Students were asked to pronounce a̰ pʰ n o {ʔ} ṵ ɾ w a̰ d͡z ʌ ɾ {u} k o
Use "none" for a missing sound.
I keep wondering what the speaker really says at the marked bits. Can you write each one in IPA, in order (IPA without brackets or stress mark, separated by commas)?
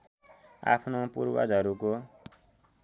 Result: p, u